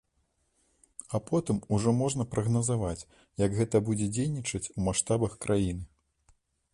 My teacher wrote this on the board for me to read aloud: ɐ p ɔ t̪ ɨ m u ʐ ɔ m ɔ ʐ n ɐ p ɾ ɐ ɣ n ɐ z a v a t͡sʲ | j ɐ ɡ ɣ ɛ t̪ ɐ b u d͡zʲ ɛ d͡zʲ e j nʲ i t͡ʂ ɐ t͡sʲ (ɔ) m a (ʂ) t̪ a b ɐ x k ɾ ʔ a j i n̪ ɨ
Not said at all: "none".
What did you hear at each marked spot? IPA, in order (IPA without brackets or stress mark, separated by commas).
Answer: u, ʂ